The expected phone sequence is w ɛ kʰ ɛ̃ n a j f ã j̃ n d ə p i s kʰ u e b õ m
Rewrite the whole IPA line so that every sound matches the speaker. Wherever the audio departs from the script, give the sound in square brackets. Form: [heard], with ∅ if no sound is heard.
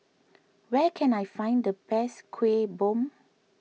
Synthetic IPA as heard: w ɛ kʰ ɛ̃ n a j f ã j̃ n d ə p [ɛ] s kʰ [w] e b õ m